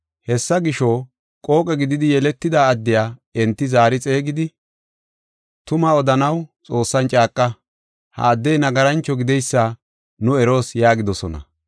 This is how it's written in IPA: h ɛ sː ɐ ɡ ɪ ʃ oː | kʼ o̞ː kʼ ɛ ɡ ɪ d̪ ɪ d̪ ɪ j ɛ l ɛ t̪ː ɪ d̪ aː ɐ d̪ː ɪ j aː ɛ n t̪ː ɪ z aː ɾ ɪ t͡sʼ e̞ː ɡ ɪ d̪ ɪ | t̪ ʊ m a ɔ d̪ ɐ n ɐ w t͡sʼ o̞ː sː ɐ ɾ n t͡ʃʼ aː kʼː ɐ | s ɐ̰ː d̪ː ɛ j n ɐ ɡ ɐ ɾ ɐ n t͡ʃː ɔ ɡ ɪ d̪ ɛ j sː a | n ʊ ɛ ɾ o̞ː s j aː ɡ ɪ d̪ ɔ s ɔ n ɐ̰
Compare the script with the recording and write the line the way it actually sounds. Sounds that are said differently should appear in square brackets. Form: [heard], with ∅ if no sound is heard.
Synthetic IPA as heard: h ɛ sː ɐ ɡ ɪ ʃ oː | kʼ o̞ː kʼ ɛ ɡ ɪ d̪ ɪ d̪ ɪ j ɛ l ɛ t̪ː ɪ d̪ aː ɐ d̪ː ɪ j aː ɛ n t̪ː ɪ z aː ɾ ɪ t͡sʼ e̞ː ɡ ɪ d̪ ɪ | t̪ ʊ m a ɔ d̪ ɐ n ɐ w t͡sʼ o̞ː sː ɐ [∅] n t͡ʃʼ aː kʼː ɐ | [h] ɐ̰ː d̪ː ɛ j n ɐ ɡ ɐ ɾ ɐ n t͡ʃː ɔ ɡ ɪ d̪ ɛ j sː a | n ʊ ɛ ɾ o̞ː s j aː ɡ ɪ d̪ ɔ s ɔ n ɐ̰